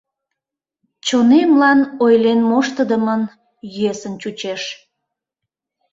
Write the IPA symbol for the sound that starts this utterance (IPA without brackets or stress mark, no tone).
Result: t͡ɕ